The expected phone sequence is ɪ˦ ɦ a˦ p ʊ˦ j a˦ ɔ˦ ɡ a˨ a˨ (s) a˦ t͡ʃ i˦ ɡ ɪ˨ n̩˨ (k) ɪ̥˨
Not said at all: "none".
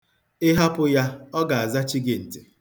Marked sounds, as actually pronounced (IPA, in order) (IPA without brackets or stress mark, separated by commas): z, t